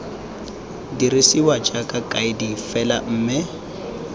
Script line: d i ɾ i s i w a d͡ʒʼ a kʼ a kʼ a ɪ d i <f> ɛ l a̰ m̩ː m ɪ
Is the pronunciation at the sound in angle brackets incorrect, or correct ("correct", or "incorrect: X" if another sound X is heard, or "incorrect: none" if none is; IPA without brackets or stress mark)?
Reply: correct